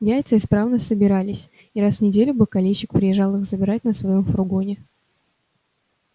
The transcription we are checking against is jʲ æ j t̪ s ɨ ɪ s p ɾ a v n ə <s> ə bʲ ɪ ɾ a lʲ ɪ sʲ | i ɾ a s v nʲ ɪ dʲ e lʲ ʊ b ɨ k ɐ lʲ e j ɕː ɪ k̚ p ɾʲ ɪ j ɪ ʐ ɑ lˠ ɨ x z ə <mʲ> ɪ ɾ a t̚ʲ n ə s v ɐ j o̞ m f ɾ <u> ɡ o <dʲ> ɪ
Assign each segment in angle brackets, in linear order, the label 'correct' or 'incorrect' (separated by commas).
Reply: correct, incorrect, incorrect, incorrect